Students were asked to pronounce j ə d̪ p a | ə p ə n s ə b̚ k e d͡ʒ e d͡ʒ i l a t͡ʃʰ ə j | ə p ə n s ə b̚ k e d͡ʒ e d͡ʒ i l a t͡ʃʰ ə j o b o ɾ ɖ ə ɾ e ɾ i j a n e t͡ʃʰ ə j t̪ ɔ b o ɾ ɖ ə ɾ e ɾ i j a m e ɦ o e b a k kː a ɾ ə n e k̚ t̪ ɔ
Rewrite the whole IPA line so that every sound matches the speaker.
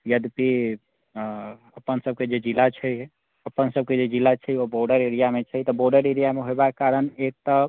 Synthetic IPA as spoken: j ə d̪ p i | ə p ə n s ə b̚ k e d͡ʒ e d͡ʒ i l a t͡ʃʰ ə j | ə p ə n s ə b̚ k e d͡ʒ e d͡ʒ i l a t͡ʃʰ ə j o b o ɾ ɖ ə ɾ e ɾ i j a m e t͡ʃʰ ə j t̪ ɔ b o ɾ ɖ ə ɾ e ɾ i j a m e ɦ o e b a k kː a ɾ ə n e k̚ t̪ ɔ